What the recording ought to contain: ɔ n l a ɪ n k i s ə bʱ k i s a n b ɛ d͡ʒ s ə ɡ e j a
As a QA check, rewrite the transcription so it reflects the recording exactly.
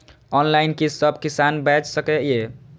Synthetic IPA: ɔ n l a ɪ n k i s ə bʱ k i s a n b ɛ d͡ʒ s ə k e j e

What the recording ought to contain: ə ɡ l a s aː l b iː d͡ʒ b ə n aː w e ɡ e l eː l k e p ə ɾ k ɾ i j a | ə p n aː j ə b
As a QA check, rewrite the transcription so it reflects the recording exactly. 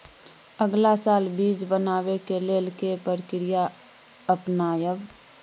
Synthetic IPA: ə ɡ l a s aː l b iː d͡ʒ b ə n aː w e k e l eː l k e p ə ɾ k ɾ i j a | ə p n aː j ə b

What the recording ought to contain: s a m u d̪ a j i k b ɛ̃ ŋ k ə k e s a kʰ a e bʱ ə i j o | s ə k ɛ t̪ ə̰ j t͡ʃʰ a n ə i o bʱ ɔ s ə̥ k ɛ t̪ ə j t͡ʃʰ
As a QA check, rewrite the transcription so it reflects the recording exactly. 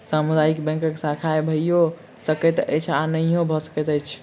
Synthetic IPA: s a m u d̪ a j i k b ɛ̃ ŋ k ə k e s a kʰ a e bʱ ə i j o | s ə k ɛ t̪ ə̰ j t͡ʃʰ a n ə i o bʱ ɔ s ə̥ k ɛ t̪ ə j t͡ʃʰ

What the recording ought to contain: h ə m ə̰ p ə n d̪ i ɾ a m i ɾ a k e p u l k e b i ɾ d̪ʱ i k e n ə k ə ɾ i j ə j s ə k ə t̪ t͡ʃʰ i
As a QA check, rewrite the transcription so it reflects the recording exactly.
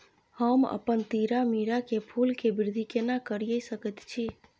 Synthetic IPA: h ə m ə̰ p ə n t̪ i ɾ a m i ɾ a k e pʰ u l k e b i ɾ d̪ʱ i k e n a k ə ɾ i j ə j s ə k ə t̪ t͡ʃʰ i

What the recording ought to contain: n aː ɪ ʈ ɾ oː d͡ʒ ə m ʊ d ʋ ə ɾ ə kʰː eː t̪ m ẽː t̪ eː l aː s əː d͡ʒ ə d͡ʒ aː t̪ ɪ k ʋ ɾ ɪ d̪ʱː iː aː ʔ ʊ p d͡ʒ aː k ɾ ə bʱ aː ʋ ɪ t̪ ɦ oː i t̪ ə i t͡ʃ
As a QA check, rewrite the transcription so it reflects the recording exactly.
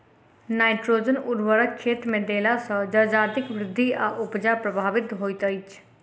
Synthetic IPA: n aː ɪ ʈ ɾ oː d͡ʒ ə n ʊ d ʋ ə ɾ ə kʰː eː t̪ m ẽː d̪ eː l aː s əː d͡ʒ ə d͡ʒ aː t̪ ɪ k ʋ ɾ ɪ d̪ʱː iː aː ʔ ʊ p d͡ʒ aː p ɾ ə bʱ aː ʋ ɪ t̪ ɦ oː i t̪ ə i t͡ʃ

